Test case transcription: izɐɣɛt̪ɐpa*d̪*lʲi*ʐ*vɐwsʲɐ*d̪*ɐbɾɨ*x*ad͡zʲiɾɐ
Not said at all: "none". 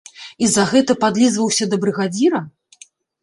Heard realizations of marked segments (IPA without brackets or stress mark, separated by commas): d̪, z, d̪, ɣ